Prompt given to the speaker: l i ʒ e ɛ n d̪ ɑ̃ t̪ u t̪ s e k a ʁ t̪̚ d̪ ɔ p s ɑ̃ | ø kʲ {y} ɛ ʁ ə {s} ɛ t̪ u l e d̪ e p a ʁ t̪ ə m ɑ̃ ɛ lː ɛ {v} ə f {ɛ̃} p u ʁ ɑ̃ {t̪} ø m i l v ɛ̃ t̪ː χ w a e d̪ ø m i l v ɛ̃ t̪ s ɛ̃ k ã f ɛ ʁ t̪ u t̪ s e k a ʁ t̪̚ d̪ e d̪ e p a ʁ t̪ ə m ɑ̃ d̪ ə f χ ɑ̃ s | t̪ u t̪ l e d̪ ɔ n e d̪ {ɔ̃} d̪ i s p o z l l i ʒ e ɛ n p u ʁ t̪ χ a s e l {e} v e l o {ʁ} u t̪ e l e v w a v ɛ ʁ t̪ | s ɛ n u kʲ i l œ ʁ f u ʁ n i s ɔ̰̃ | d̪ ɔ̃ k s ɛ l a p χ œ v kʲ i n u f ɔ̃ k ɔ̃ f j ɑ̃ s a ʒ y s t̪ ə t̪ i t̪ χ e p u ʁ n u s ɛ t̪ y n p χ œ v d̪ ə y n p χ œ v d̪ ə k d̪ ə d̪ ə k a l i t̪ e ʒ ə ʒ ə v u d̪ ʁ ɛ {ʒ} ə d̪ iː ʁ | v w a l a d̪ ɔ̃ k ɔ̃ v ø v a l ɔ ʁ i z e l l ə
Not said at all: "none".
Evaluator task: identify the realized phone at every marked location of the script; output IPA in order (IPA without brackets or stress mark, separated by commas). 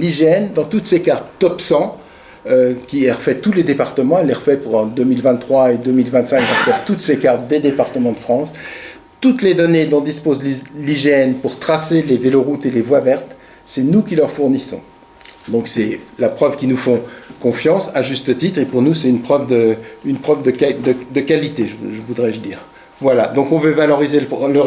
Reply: i, f, ʁ, ɛ, d̪, ɔ̃, e, ʁ, ʒ